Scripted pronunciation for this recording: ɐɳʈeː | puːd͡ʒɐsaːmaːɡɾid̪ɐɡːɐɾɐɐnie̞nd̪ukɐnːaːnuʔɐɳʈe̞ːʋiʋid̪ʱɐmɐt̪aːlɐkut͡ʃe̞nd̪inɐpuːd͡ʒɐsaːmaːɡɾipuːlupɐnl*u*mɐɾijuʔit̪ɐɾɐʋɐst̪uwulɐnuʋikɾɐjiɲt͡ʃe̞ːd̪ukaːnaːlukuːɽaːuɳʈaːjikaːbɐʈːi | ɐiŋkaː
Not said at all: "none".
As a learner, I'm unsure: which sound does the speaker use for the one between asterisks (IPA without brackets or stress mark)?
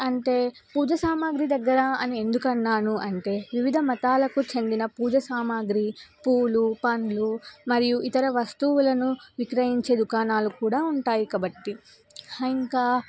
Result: u